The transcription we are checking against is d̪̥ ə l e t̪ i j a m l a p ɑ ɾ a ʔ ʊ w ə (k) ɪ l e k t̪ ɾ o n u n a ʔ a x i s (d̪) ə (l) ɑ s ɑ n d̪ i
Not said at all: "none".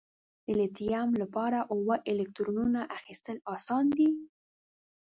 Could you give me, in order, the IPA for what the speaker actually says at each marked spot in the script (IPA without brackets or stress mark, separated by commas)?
ʔ, t̪, l